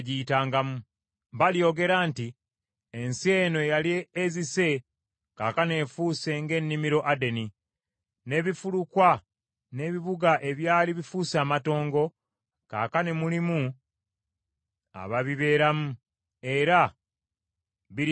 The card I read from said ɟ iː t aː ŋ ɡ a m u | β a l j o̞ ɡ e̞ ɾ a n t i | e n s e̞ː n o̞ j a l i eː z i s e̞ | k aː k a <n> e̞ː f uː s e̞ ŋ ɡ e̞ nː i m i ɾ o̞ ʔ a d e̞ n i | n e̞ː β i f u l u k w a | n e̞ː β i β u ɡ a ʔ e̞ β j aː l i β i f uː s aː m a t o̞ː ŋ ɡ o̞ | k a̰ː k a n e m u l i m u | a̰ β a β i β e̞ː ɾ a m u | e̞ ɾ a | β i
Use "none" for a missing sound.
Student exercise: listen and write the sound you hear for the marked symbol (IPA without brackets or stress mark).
n